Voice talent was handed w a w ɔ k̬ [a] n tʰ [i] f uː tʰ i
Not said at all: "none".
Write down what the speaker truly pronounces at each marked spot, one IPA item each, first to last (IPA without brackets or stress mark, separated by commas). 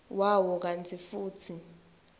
a, i